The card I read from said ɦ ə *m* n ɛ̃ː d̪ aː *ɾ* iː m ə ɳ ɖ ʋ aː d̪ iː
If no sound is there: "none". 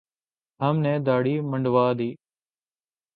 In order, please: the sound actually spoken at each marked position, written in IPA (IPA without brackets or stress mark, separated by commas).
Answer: m, ɽ